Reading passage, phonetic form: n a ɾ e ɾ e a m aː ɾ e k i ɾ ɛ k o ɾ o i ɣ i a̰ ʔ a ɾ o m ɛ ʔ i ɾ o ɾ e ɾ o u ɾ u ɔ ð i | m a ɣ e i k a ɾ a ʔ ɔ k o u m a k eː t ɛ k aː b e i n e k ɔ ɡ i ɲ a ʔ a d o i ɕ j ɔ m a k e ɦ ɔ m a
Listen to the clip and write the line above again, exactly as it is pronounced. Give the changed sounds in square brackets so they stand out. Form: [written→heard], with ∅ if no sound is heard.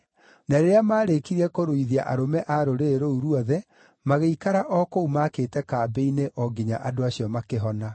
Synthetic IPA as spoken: n a ɾ e ɾ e a m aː ɾ e k i ɾ ɛ k o ɾ o i [ɣ→ð] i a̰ ʔ a ɾ o m ɛ ʔ [i→a] ɾ o ɾ e ɾ o u ɾ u ɔ ð [i→ɛ] | m a ɣ e i k a ɾ a ʔ ɔ k o u m a k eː t ɛ k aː b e i n e [k→ʔ] ɔ ɡ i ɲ a ʔ a d o [i→a] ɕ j ɔ m a k e ɦ ɔ [m→n] a